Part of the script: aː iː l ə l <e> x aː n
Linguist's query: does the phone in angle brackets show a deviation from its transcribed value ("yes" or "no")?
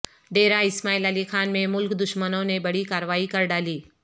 yes